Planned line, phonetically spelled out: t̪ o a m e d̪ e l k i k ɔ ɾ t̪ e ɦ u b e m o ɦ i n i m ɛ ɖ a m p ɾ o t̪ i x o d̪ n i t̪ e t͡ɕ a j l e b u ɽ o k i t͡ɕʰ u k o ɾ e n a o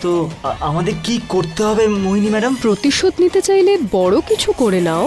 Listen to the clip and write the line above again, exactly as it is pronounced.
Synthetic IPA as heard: t̪ o a m a d̪ e ɾ k i k o ɾ t̪ e ɦ ɔ b e m o ɦ i n i m ɛ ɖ a m p ɾ o t̪ i ʃ o d̪ n i t̪ e t͡ɕ a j l e b ɔ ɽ o k i t͡ɕʰ u k o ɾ e n a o